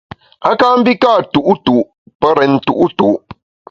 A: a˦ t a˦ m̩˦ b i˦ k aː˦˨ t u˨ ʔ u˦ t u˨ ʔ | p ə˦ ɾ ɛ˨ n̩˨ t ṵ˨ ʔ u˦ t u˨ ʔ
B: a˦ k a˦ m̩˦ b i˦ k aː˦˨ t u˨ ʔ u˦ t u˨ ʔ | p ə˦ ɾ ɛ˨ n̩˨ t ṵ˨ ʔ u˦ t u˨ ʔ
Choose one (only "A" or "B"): B